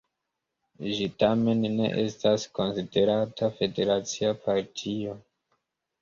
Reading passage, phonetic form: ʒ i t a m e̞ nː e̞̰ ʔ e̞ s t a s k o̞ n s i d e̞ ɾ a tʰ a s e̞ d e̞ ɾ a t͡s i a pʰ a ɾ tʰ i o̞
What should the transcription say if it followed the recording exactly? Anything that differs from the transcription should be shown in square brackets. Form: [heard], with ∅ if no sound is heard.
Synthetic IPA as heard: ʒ i t a m e̞ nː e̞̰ ʔ e̞ s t a s k o̞ n s i d e̞ ɾ a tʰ a [f] e̞ d e̞ ɾ a t͡s i a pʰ a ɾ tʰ i o̞